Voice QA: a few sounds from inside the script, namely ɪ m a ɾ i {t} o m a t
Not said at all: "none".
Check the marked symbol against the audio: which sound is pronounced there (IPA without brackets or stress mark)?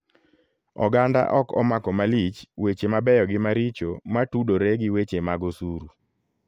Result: t͡ʃ